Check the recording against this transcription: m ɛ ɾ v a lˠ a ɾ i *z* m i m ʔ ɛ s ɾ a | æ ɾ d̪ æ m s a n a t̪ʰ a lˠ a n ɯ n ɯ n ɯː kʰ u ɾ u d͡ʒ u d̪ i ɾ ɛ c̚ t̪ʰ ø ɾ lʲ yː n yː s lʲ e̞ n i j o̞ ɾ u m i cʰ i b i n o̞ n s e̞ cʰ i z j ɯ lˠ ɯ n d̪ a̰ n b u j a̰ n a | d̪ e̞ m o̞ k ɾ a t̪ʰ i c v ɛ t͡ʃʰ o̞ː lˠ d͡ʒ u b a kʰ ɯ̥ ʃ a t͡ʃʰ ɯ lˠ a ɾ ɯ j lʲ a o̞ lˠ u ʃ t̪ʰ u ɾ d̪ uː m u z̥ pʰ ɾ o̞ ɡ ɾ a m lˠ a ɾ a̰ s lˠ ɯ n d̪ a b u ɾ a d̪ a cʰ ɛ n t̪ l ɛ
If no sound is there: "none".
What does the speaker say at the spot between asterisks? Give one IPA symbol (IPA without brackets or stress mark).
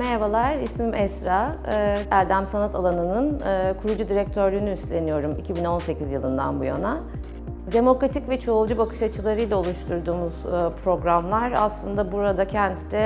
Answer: s